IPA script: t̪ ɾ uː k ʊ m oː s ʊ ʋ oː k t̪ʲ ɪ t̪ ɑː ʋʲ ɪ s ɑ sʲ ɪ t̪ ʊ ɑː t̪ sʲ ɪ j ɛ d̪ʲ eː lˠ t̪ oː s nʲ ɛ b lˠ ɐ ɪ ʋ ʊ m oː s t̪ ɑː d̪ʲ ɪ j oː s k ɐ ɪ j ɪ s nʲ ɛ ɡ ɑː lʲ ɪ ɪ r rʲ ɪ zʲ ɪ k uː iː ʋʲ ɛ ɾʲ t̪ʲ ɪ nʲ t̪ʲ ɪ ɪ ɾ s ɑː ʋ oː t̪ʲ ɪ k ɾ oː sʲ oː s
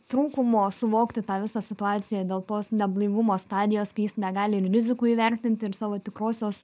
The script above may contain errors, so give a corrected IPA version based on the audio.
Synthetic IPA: t̪ ɾ uː k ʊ m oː s ʊ ʋ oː k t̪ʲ ɪ t̪ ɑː ʋʲ ɪ s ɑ sʲ ɪ t̪ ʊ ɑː t̪ sʲ ɪ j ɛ d̪ʲ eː lˠ t̪ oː s nʲ ɛ b lˠ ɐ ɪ ʋ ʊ m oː s t̪ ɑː d̪ʲ ɪ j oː s k ɐ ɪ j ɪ s nʲ ɛ ɡ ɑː lʲ ɪ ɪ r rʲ ɪ zʲ ɪ k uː iː ʋʲ ɛ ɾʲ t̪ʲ ɪ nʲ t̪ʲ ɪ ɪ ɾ s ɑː ʋ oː t̪ʲ ɪ k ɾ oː sʲ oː s